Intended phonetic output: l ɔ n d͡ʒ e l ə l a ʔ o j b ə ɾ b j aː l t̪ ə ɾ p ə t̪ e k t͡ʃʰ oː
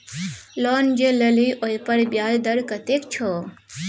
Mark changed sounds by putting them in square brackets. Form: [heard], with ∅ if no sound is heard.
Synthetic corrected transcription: l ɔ n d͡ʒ e l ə l [i] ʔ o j [p] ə ɾ b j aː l [d̪] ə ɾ [k] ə t̪ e k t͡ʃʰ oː